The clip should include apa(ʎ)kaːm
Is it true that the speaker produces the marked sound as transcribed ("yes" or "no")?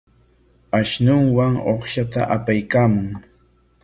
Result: no